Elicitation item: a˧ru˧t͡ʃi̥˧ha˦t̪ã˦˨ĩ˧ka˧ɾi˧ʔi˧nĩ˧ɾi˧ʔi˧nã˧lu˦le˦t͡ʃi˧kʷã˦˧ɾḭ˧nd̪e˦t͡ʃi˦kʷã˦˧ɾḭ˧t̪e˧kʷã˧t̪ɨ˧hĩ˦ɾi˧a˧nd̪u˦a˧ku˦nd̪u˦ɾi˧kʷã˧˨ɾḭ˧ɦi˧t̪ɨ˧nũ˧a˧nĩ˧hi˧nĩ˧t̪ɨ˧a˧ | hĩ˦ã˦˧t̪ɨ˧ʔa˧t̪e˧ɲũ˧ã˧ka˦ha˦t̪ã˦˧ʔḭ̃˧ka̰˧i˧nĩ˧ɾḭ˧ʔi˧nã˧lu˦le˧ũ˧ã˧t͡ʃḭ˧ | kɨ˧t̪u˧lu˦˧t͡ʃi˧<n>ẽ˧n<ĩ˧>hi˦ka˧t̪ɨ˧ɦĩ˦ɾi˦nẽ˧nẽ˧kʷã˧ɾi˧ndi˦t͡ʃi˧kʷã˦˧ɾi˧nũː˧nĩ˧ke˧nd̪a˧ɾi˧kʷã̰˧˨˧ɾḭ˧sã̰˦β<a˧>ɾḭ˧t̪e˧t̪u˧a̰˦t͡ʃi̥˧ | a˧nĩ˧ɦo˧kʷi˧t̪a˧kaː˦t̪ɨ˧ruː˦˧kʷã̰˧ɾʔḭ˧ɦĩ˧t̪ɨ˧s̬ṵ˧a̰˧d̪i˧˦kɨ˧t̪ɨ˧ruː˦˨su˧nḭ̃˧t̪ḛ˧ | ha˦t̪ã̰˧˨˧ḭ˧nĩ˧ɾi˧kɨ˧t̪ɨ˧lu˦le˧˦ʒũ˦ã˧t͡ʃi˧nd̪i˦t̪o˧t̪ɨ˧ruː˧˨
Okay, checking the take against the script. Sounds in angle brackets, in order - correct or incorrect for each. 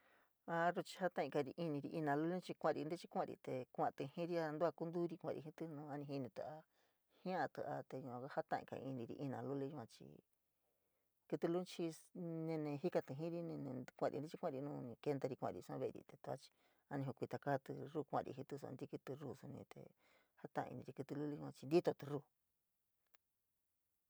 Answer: correct, incorrect: ẽ˧, incorrect: e˧

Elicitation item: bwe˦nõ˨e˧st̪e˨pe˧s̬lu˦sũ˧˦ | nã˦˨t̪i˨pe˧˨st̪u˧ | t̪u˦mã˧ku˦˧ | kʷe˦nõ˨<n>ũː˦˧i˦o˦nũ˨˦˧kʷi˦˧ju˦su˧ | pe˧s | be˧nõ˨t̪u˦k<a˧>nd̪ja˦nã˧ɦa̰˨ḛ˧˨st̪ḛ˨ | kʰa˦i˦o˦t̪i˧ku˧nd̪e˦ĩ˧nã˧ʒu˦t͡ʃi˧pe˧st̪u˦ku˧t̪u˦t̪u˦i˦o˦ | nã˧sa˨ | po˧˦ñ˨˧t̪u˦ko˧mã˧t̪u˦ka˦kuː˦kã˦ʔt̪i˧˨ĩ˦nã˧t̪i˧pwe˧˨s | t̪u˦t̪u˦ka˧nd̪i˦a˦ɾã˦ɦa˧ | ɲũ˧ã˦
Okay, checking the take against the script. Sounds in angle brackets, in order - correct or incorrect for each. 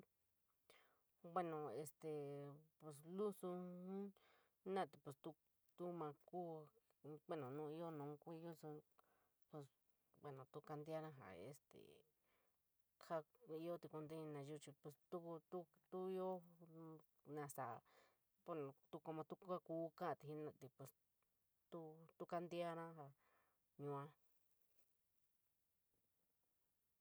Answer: correct, correct

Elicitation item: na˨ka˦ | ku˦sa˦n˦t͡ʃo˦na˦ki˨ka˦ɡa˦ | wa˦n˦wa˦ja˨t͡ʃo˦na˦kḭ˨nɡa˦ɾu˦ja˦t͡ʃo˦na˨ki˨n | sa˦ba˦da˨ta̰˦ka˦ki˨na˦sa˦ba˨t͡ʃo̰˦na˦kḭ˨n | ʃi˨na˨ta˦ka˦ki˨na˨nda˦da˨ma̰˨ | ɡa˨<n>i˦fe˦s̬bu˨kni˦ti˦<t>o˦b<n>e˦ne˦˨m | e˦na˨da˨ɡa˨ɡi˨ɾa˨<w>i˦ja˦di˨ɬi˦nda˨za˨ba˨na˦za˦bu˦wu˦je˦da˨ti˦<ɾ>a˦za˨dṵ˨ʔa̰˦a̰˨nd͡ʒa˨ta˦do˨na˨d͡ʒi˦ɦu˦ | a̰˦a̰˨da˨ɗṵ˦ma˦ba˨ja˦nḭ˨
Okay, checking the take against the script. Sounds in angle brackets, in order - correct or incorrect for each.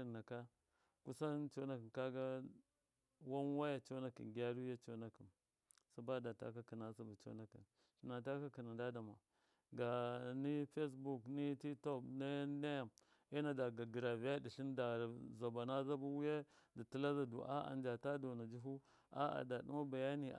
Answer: correct, correct, correct, incorrect: v, incorrect: l

